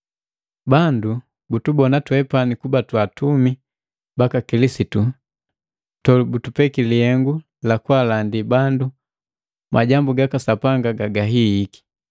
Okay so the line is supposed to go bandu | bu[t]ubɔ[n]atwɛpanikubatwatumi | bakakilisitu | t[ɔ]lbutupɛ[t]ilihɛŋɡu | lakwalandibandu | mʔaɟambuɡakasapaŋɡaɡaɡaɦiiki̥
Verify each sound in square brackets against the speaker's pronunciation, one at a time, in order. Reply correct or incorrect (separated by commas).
correct, correct, correct, incorrect